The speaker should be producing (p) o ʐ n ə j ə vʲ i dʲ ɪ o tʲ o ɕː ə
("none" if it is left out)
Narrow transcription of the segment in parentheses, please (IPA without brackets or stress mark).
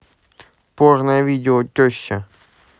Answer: p